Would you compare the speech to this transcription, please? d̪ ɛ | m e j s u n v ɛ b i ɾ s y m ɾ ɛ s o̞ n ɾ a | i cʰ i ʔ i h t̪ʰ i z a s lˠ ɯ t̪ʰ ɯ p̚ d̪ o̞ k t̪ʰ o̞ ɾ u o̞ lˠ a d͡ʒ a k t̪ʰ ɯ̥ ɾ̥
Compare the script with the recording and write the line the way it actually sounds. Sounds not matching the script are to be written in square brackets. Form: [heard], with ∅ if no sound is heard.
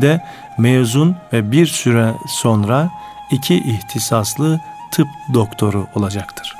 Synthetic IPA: d̪ ɛ | m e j [z] u n v ɛ b i ɾ s y [∅] ɾ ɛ s o̞ n ɾ a | i cʰ i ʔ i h t̪ʰ i [s] a s lˠ ɯ t̪ʰ ɯ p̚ d̪ o̞ k t̪ʰ o̞ ɾ u o̞ lˠ a d͡ʒ a k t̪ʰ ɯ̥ ɾ̥